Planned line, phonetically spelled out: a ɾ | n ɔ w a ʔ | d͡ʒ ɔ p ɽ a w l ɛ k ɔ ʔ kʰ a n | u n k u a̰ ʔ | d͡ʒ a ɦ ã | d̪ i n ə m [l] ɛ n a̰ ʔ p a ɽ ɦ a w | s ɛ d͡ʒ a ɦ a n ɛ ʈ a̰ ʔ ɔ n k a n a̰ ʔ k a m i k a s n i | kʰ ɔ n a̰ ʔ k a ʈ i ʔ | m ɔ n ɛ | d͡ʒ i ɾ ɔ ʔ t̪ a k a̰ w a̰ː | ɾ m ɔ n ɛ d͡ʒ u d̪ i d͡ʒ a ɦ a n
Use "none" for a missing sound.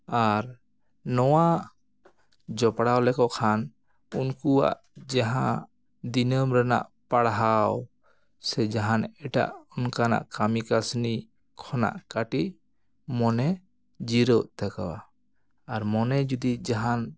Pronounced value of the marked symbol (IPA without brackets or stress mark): ɾ